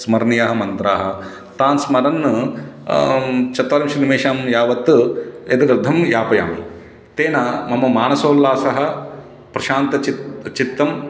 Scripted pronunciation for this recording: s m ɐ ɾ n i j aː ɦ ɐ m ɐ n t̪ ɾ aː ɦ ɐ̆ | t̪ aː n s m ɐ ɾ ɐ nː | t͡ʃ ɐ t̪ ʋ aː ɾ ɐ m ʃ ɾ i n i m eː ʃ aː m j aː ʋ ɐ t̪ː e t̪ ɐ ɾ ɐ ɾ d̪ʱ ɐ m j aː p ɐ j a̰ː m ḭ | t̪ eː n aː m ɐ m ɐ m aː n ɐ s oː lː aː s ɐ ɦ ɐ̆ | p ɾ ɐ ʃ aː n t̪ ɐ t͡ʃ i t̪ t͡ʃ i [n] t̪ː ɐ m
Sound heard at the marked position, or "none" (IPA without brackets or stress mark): none